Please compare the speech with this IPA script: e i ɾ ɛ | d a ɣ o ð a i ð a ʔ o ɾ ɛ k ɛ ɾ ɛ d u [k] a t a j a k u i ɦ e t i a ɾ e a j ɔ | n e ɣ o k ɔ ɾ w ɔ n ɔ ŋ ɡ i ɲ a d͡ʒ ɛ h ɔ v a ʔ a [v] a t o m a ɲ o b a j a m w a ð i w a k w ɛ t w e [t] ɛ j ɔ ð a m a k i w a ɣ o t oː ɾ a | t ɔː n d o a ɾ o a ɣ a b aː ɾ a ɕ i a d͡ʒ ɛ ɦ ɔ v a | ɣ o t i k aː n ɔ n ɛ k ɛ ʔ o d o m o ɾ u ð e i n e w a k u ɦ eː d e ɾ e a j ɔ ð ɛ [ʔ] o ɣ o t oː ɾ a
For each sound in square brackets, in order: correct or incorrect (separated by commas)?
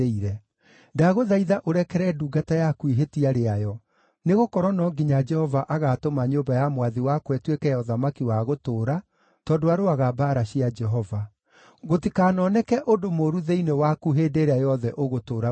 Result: incorrect, incorrect, incorrect, correct